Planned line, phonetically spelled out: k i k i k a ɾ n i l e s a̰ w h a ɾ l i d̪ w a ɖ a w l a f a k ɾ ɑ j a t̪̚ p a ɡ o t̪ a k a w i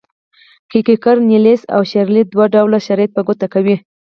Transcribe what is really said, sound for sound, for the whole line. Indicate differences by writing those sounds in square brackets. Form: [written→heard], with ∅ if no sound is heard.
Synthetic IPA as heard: k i k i k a ɾ n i l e s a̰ w [h→ʃ] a ɾ l i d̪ w a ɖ a w l a [f→ʃ] a [k→∅] ɾ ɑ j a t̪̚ p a ɡ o t̪ a k a w i